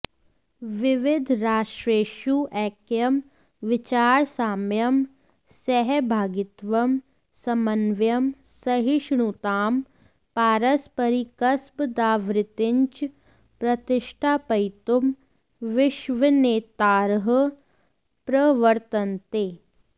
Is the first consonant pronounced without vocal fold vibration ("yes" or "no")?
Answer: no